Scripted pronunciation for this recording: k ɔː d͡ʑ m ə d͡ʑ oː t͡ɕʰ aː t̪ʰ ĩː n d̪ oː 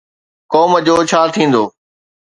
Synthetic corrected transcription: k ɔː m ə d͡ʑ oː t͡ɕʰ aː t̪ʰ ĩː n d̪ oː